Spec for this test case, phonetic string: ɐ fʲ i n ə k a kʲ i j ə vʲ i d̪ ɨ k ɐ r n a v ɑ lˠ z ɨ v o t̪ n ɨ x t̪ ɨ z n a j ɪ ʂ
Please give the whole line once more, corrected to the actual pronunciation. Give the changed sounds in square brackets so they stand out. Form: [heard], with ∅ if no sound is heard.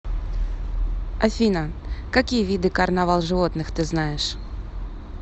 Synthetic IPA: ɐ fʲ i n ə k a kʲ i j ə vʲ i d̪ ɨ k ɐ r n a v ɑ lˠ [ʐ] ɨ v o t̪ n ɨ x t̪ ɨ z n a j ɪ ʂ